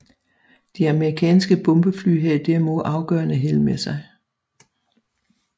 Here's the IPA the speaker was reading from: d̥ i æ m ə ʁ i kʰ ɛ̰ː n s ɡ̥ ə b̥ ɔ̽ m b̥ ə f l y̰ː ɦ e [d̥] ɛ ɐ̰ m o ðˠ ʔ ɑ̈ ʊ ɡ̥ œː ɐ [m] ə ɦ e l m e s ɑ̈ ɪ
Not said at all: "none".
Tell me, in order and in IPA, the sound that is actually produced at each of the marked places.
d̥, n

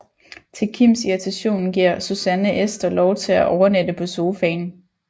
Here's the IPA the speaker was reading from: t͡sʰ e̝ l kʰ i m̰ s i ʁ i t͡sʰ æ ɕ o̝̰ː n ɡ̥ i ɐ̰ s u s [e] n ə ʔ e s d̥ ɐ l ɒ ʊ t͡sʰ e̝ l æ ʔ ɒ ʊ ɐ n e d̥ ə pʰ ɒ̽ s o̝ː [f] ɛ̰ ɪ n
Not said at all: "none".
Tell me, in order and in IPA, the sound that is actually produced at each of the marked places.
æ, f

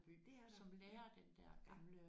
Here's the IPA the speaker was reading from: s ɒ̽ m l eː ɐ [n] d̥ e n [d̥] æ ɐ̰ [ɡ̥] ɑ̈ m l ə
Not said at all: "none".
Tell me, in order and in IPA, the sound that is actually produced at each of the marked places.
none, d̥, ɡ̥

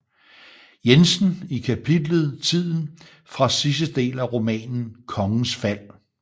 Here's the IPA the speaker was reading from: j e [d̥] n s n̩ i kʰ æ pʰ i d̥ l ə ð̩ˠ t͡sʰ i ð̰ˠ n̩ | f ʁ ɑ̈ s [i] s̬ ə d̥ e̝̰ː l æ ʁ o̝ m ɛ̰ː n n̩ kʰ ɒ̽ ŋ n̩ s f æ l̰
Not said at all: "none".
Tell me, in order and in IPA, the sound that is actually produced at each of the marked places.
none, i

